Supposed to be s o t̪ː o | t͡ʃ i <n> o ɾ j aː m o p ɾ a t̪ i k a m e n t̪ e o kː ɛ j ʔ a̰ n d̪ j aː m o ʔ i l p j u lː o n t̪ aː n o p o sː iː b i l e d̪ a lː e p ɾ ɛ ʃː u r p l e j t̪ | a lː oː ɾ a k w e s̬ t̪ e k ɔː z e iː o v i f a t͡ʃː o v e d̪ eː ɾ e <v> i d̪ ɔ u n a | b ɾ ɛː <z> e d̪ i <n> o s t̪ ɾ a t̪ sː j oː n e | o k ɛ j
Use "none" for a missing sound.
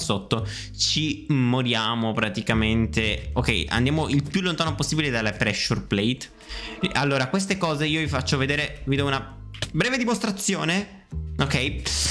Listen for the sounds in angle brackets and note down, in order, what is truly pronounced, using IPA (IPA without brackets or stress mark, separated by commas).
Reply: m, v, v, m